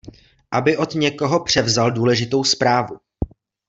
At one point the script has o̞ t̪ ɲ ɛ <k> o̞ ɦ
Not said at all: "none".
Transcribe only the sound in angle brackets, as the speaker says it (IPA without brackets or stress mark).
k